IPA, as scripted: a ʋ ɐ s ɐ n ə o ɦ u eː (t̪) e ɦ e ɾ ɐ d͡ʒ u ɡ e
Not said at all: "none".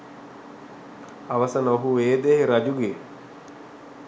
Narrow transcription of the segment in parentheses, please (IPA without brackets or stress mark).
d̪